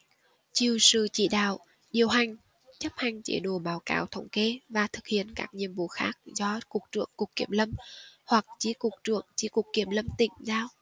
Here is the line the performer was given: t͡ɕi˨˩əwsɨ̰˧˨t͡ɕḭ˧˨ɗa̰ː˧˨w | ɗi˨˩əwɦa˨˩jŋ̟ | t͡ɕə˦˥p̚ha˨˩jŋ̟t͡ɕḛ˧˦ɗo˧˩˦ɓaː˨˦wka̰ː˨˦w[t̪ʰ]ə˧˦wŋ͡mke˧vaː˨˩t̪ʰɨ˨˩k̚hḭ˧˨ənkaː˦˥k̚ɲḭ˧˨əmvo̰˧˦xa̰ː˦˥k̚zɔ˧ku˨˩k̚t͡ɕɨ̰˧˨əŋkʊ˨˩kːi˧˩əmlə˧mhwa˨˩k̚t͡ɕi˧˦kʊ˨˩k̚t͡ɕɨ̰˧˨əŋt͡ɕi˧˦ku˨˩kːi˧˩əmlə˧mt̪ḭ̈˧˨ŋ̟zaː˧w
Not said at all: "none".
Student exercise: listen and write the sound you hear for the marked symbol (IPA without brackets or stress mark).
t̪ʰ